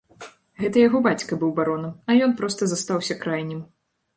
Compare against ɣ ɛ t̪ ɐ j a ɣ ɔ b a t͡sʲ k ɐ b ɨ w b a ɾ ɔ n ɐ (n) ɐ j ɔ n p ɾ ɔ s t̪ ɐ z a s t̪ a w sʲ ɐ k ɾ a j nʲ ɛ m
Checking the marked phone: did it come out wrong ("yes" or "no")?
yes